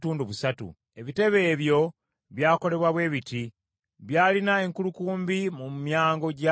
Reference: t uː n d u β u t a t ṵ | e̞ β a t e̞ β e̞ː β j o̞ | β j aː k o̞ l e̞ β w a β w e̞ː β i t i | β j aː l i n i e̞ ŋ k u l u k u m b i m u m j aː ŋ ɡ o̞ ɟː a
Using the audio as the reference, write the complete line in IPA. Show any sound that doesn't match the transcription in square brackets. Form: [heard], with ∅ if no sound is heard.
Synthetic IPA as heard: t uː n d u β u [s] a t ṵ | e̞ β [i] t e̞ β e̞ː β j o̞ | β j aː k o̞ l e̞ β w a β w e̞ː β i t i | β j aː l i n [a] e̞ ŋ k u l u k [uː] m b i m u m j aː ŋ ɡ o̞ [ɟ] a